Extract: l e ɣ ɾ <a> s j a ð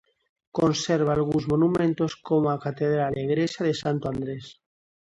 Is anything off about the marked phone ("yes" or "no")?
yes